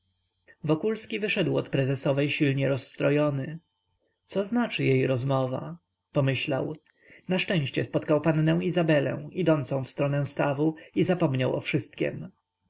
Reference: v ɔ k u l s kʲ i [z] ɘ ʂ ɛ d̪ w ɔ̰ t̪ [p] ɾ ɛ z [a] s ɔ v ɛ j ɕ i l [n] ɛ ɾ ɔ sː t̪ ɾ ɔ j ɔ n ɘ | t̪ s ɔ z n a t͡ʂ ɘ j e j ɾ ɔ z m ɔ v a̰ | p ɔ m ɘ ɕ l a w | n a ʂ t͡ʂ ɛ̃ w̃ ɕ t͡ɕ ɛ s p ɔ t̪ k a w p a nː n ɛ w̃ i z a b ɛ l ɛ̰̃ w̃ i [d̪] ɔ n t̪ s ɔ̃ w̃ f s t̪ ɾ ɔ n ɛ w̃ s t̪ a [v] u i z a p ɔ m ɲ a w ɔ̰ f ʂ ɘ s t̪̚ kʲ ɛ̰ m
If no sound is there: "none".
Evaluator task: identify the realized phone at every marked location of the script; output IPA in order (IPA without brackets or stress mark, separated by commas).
v, p, ɛ, ɲ, d̪, v